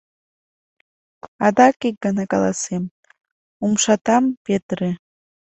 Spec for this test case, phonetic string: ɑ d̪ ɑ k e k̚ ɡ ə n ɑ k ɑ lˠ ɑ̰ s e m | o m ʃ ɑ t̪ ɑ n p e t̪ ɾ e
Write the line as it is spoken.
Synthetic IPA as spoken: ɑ d̪ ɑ k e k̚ ɡ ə n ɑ k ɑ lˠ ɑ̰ s e m | u m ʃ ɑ t̪ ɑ m p e t̪ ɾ e